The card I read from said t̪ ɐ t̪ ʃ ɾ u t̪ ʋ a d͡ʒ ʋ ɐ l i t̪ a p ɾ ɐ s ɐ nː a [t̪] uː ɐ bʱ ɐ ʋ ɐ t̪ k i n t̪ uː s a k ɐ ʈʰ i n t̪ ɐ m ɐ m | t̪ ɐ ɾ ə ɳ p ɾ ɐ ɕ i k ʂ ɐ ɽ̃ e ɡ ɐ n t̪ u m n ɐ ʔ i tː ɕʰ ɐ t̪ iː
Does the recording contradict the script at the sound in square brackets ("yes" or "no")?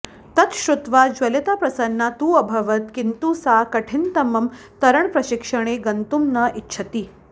no